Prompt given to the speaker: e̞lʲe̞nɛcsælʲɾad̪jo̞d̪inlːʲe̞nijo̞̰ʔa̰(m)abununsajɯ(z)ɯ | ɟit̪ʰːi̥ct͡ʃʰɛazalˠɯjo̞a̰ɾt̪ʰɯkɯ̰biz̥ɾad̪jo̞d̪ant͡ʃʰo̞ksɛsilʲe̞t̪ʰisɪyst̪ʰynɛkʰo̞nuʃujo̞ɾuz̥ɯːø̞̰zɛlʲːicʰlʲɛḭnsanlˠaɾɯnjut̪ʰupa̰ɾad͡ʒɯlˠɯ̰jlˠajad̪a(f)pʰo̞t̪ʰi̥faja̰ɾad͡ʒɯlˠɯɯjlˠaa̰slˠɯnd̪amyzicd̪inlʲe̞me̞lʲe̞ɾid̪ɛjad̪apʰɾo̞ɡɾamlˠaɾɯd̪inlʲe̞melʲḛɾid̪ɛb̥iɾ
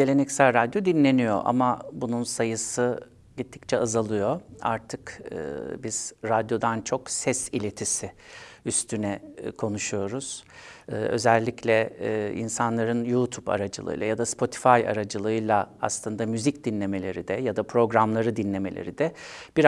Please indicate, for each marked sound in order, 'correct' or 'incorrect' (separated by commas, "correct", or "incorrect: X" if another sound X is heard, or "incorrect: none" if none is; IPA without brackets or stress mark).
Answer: correct, incorrect: s, incorrect: s